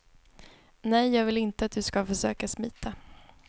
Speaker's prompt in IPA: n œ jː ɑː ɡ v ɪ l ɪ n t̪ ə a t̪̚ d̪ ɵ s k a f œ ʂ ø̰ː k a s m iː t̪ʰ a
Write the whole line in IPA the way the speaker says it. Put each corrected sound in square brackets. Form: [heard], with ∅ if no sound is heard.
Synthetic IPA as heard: n [ɛ] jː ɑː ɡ v ɪ l ɪ n t̪ ə a t̪̚ d̪ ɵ s k a f œ ʂ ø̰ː k a s m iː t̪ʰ a